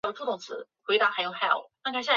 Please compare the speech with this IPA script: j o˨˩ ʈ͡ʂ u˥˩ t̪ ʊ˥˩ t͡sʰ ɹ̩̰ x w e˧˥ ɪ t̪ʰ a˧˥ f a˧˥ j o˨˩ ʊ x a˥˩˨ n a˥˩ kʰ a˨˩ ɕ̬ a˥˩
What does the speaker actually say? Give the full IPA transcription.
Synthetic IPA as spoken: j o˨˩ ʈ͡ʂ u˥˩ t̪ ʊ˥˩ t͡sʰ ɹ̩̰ x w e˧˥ ɪ t̪ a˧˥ x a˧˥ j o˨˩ ʊ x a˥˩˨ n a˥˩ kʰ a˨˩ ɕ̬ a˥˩